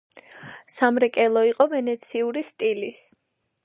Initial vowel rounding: unrounded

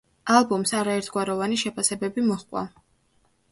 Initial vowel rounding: unrounded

